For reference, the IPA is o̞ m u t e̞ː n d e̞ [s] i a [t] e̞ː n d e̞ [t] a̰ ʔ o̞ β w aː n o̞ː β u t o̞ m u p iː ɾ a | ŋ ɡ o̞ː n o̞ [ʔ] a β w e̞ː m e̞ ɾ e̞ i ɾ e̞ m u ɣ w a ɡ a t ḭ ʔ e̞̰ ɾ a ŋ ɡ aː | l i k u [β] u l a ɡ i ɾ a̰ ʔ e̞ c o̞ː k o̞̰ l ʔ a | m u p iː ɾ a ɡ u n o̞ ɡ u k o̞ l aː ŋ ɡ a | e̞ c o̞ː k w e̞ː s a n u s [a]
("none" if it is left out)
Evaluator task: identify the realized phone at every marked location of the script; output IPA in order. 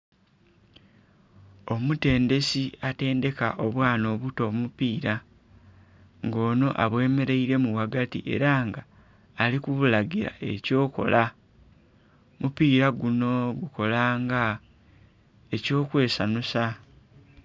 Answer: s, t, k, ʔ, β, a

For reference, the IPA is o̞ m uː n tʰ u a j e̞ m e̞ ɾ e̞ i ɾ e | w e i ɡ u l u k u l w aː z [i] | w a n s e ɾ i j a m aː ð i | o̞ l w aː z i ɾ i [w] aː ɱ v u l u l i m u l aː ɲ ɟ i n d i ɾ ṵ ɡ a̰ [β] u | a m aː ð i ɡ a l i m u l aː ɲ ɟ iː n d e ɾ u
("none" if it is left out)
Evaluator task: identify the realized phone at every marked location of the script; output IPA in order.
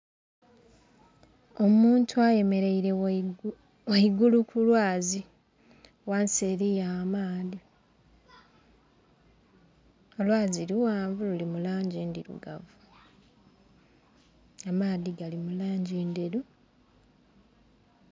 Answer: i, w, v

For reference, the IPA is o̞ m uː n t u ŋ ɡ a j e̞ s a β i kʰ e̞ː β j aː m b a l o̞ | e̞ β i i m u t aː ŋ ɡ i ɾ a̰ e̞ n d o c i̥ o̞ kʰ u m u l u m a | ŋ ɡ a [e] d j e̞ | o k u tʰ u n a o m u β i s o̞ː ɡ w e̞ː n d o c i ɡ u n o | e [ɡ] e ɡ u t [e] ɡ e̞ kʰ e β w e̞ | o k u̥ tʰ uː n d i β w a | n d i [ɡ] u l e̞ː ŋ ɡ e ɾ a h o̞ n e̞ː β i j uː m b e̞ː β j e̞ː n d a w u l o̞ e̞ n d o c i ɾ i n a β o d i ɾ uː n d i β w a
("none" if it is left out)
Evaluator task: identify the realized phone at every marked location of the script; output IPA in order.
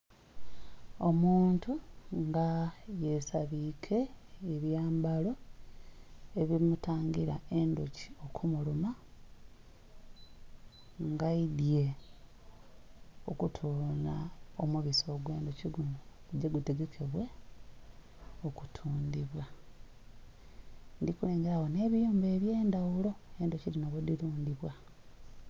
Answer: i, ɟ, e, k

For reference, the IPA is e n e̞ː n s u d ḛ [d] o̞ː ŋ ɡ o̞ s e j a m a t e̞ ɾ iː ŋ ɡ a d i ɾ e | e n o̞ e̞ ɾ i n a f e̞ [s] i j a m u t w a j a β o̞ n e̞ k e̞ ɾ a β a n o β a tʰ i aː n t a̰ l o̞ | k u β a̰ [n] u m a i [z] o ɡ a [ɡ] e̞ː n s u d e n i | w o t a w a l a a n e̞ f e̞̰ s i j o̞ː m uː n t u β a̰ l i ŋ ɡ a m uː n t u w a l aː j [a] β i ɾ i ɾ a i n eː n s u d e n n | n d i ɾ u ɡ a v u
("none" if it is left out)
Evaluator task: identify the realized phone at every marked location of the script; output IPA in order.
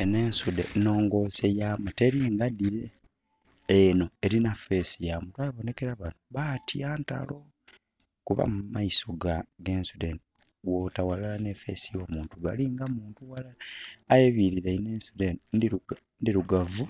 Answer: n, s, m, s, ɡ, e

